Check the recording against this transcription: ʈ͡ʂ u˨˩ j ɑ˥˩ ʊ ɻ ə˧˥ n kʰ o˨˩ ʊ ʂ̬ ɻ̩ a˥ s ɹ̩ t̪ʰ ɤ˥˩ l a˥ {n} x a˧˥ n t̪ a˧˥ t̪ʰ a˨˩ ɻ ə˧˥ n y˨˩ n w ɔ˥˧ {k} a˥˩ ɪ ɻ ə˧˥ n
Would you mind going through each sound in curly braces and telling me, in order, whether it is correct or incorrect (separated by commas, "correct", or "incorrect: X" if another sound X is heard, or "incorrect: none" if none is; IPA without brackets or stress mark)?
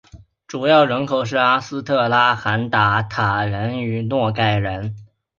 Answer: incorrect: none, correct